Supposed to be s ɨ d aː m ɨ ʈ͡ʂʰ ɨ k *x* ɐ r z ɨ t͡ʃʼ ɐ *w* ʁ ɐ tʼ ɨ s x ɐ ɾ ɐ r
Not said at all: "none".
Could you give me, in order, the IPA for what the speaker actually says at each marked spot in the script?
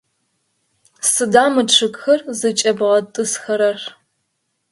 x, b

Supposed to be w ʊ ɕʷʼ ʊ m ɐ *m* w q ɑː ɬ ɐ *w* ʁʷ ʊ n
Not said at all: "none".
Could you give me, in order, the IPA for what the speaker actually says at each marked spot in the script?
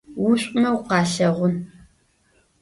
none, none

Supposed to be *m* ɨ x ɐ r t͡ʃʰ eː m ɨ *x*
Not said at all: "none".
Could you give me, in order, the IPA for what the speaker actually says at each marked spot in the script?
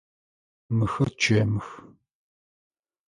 m, x

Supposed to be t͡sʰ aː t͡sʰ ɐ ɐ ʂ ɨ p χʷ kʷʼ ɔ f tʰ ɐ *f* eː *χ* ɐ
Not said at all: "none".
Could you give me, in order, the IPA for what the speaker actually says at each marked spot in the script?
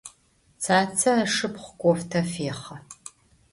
f, χ

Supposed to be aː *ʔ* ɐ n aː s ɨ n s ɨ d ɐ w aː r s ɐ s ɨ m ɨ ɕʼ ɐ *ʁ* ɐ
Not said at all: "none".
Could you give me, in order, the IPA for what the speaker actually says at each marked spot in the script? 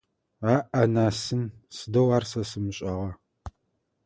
ʔ, ʁ

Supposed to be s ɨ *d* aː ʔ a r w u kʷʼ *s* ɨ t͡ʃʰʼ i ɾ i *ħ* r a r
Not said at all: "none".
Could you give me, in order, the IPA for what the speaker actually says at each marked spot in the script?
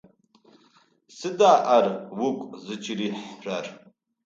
d, z, ħ

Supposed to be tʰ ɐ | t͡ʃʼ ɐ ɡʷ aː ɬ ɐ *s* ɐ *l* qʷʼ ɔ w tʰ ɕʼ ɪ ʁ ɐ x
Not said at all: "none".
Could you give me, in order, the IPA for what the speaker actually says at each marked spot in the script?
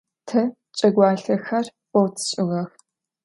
x, r

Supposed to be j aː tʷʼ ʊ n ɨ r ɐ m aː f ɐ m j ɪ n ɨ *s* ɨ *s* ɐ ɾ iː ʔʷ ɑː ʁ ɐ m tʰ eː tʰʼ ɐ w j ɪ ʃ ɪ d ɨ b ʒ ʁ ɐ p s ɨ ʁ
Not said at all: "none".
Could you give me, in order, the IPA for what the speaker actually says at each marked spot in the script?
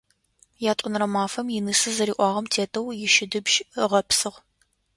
s, z

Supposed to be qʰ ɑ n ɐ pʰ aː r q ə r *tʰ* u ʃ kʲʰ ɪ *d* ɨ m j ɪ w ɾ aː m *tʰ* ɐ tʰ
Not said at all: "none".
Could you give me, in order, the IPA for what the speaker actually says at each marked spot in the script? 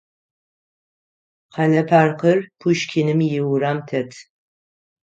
pʰ, n, tʰ

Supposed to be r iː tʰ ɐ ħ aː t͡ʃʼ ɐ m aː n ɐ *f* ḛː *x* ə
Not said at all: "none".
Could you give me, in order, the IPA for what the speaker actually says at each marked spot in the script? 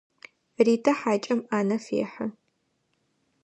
f, ħ

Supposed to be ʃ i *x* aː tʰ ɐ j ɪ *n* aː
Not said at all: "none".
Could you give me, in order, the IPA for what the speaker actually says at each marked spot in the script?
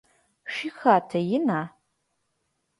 x, n

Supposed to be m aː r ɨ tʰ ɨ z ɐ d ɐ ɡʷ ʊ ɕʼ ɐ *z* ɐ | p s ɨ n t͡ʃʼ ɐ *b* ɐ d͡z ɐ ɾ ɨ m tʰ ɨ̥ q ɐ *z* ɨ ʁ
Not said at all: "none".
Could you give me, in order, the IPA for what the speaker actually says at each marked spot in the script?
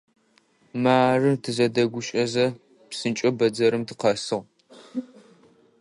z, b, s

